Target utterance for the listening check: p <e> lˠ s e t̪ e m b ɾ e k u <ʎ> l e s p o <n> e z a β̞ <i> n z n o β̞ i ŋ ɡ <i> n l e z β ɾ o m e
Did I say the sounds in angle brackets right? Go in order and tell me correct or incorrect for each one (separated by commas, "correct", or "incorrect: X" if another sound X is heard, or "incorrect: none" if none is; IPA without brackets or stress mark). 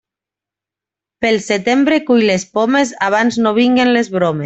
correct, incorrect: j, incorrect: m, incorrect: a, incorrect: e